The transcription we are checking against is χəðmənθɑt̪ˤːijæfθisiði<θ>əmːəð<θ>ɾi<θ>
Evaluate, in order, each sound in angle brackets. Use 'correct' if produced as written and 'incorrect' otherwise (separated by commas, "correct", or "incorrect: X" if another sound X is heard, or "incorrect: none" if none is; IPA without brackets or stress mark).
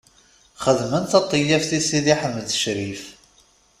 incorrect: ħ, incorrect: ʃ, incorrect: f